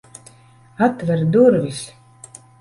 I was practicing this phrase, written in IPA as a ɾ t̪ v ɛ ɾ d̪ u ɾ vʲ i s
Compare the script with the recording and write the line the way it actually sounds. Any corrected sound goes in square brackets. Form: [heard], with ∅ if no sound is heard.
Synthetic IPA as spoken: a [∅] t̪ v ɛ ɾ d̪ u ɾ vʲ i s

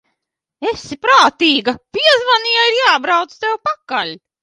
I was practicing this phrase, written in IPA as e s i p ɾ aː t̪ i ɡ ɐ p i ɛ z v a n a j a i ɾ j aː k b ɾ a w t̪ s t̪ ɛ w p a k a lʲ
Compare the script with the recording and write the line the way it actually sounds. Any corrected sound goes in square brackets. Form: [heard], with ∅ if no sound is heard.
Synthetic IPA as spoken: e s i p ɾ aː t̪ [iː] ɡ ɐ p i ɛ z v a n [i] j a i ɾ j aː [∅] b ɾ a w t̪ s t̪ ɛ w p a k a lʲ

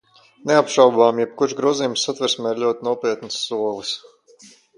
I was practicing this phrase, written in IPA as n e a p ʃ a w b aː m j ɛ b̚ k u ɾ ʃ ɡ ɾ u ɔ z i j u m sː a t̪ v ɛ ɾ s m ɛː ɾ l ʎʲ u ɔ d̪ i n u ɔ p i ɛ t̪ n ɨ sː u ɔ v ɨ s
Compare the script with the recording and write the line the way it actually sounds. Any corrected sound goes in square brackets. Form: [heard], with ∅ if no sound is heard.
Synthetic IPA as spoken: n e a p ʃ a w b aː m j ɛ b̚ k u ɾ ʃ ɡ ɾ u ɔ z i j u m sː a t̪ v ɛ ɾ s m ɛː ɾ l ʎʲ u ɔ [t̪] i n u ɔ p i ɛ t̪ n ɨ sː u ɔ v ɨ s

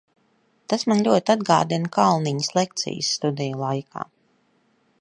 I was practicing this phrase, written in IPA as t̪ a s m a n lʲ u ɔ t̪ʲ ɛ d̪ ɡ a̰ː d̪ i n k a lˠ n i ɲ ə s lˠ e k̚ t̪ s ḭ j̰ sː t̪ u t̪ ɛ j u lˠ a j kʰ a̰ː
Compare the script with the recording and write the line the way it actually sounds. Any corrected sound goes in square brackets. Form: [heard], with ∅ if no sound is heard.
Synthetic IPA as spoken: t̪ a s m a n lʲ u ɔ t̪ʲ [a] d̪ ɡ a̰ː d̪ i n k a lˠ n i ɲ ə s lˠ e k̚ t̪ s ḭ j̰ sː t̪ u [d̪] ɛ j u lˠ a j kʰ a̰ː

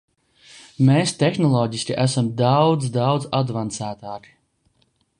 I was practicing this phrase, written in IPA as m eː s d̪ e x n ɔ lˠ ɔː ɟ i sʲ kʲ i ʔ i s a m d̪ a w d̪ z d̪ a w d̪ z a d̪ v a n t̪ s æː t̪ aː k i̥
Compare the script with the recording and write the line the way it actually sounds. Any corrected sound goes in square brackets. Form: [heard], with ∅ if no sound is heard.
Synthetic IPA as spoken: m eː s [t̪] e x n ɔ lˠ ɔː ɟ i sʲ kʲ i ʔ [æ] s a m d̪ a w d̪ z d̪ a w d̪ z a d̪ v a n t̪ s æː t̪ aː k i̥

